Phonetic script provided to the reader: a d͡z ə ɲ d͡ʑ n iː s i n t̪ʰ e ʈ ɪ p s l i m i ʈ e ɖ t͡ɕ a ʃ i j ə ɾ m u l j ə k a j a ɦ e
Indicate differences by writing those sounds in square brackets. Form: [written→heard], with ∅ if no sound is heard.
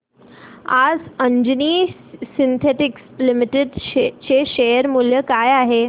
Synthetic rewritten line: a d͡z ə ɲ d͡ʑ n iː s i n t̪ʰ e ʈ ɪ [p→k] s l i m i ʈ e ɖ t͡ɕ [a→e] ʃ [i→e] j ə ɾ m u l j ə k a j a ɦ e